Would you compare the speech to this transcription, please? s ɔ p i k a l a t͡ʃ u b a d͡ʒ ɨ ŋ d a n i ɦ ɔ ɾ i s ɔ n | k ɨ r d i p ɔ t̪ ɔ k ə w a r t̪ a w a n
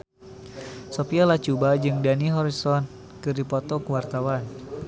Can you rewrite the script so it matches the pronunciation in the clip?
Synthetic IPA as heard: s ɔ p i a l a t͡ʃ u b a d͡ʒ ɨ ŋ d a n i ɦ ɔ ɾ i s ɔ n | k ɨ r d i p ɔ t̪ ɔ k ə w a r t̪ a w a n